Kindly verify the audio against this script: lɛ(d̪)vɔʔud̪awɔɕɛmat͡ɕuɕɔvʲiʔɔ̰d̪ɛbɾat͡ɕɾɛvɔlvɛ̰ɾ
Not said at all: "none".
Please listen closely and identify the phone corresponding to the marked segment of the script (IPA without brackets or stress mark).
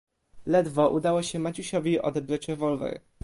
d̪